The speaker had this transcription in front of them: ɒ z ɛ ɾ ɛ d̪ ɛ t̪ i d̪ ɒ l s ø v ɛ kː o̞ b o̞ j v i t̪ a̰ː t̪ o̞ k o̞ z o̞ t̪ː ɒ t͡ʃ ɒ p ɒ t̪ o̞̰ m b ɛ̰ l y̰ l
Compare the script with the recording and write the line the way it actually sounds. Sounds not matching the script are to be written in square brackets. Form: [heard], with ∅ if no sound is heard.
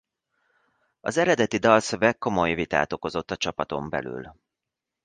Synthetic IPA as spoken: ɒ z ɛ ɾ ɛ d̪ ɛ t̪ i d̪ ɒ l s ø v ɛ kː o̞ [m] o̞ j v i t̪ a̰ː t̪ o̞ k o̞ z o̞ t̪ː ɒ t͡ʃ ɒ p ɒ t̪ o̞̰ m b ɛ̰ l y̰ l